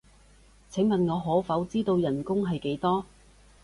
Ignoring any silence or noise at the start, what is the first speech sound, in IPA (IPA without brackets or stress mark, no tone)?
t͡sʰ